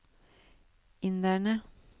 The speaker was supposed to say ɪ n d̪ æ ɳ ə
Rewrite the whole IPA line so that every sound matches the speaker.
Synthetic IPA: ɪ n d̪ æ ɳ ə